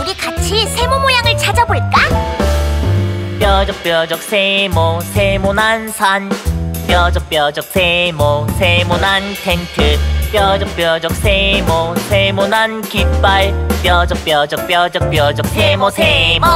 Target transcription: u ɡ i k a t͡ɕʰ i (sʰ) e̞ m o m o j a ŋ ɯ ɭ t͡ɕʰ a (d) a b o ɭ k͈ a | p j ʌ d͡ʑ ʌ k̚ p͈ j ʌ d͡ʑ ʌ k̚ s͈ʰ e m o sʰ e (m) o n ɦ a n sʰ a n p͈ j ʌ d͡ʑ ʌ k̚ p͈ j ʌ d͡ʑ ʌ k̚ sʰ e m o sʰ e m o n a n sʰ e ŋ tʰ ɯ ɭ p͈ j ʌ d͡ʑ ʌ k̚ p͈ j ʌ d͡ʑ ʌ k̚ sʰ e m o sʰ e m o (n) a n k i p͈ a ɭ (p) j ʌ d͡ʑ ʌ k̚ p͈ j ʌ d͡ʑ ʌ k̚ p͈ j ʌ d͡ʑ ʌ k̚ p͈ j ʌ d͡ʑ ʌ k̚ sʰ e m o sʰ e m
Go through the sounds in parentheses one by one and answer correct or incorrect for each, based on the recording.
correct, incorrect, correct, correct, correct

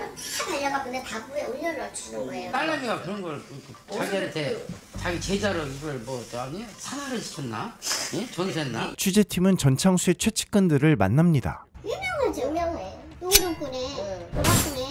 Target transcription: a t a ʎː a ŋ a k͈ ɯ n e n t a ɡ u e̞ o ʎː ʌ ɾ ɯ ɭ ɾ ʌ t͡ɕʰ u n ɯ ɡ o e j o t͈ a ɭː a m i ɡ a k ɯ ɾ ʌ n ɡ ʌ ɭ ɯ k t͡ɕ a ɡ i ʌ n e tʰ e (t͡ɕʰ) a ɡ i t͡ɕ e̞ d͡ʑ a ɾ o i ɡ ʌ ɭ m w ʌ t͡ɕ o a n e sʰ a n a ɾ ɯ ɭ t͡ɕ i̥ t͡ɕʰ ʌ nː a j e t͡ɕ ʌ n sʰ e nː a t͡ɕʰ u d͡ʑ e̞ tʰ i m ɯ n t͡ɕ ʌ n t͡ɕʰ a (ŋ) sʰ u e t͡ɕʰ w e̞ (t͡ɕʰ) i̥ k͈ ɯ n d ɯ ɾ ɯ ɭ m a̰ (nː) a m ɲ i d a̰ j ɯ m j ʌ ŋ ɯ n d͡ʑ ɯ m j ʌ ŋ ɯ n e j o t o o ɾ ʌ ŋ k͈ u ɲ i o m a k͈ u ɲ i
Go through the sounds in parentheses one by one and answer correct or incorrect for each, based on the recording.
incorrect, correct, correct, correct

